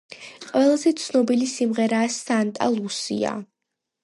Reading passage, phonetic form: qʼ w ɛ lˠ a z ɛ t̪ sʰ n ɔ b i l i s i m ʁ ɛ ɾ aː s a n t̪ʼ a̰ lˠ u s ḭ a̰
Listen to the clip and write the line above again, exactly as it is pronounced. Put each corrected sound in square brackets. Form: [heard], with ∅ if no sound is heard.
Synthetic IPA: qʼ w ɛ lˠ a z ɛ t̪ sʰ n ɔ b i l i s i m ʁ ɛ ɾ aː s a n t̪ʼ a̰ lˠ u s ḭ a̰